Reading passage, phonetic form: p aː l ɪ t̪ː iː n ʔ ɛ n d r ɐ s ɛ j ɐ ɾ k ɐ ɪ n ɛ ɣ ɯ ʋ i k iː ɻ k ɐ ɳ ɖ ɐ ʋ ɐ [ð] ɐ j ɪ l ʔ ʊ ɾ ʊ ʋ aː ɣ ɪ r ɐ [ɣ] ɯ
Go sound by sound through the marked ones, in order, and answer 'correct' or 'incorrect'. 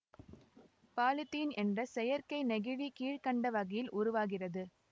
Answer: incorrect, incorrect

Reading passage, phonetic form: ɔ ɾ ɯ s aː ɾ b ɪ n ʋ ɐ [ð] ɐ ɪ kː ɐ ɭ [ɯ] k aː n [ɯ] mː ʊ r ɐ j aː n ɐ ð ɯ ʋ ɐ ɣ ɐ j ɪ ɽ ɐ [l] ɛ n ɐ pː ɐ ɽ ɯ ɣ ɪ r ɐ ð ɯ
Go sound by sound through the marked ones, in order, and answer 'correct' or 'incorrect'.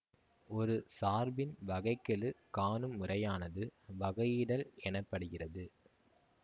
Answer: incorrect, correct, correct, correct

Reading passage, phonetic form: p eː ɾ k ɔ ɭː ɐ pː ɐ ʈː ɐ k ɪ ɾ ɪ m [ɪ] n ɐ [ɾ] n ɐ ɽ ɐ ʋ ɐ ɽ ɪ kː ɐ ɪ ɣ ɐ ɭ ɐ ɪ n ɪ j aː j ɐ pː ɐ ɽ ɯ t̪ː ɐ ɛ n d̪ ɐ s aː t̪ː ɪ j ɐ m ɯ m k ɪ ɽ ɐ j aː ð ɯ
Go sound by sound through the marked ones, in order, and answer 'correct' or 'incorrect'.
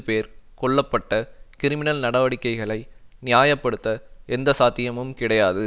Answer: correct, incorrect

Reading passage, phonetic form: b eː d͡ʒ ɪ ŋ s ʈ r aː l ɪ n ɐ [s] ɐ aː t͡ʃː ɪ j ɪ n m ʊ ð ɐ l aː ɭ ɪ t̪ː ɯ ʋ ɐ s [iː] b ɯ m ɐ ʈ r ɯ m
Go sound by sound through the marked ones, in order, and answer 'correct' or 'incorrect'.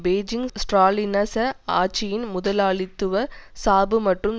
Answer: correct, incorrect

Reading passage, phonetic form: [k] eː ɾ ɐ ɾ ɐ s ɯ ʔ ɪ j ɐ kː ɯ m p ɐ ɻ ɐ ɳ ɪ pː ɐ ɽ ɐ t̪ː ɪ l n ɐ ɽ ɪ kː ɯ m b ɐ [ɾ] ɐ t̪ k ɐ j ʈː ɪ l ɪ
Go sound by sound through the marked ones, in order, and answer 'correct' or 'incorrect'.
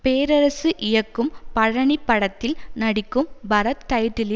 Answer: incorrect, correct

